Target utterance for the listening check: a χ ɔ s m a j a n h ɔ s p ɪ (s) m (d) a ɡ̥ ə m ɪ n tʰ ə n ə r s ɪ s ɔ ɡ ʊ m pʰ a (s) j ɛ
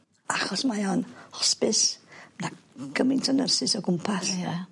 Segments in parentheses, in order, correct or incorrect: correct, incorrect: n, correct

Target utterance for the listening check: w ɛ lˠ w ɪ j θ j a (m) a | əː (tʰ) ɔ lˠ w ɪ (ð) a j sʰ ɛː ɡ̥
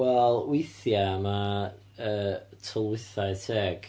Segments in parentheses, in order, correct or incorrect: correct, correct, incorrect: θ

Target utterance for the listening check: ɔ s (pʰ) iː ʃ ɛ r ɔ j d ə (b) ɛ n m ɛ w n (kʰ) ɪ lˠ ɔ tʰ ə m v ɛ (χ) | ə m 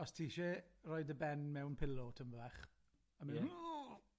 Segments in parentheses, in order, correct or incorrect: incorrect: tʰ, correct, incorrect: pʰ, correct

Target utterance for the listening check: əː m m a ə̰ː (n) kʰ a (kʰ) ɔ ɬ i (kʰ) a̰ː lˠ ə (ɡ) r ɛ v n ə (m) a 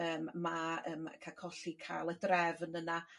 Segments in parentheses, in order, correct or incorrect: incorrect: m, correct, correct, incorrect: d, incorrect: n

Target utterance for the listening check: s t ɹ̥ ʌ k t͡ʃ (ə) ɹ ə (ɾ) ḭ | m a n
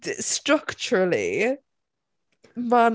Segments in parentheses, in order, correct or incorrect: correct, incorrect: l

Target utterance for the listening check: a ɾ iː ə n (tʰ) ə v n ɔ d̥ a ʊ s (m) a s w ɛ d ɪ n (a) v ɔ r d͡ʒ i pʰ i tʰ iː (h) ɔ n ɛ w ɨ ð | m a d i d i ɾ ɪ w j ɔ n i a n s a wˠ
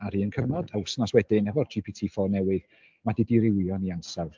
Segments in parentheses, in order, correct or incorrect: incorrect: kʰ, incorrect: n, incorrect: ɛ, incorrect: f

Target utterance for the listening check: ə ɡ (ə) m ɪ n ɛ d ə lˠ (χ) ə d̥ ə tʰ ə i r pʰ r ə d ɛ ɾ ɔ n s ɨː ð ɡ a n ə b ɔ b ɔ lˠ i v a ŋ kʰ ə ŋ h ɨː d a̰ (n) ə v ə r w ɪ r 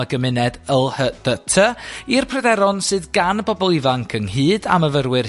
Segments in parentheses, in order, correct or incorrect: correct, incorrect: h, incorrect: m

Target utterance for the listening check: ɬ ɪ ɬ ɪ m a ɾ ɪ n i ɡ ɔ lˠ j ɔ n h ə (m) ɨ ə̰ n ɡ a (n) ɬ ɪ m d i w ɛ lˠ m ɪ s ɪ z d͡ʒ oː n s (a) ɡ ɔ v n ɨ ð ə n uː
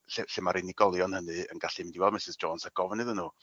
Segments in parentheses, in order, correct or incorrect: incorrect: n, incorrect: none, correct

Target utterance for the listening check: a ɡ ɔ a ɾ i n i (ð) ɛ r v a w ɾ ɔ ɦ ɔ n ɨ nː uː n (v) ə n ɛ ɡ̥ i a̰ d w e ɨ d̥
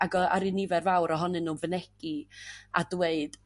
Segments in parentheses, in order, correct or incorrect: incorrect: v, correct

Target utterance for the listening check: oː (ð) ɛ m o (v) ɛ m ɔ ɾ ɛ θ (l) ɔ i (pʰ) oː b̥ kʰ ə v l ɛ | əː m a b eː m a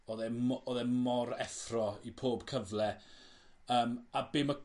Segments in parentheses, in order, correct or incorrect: correct, incorrect: ð, incorrect: r, correct

